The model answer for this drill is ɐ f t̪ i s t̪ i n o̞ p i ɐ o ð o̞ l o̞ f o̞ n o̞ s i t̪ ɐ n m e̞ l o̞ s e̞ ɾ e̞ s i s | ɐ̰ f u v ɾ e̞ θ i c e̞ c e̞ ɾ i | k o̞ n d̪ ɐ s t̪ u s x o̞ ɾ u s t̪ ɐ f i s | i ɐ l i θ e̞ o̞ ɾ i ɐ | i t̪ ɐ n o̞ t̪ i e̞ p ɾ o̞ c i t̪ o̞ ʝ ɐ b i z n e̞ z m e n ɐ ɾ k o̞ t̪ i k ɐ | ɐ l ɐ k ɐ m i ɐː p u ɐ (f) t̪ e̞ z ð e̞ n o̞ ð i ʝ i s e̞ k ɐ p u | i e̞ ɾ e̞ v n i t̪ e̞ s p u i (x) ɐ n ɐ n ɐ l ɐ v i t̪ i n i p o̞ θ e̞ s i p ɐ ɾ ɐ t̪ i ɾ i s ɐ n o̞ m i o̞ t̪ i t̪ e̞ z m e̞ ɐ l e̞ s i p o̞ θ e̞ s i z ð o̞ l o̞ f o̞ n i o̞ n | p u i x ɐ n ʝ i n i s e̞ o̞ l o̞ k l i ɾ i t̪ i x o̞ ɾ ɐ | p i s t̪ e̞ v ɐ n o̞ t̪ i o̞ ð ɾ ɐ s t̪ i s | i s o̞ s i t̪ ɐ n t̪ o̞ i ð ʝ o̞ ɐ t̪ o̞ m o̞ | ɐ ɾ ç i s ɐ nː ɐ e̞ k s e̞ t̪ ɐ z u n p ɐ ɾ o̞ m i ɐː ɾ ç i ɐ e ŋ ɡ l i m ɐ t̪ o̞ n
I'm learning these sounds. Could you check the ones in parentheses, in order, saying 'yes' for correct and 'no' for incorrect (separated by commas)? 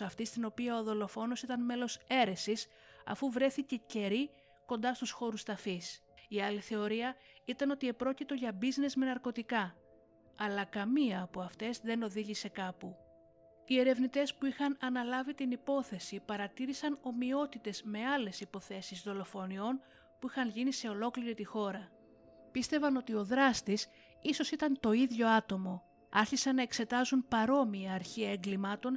yes, yes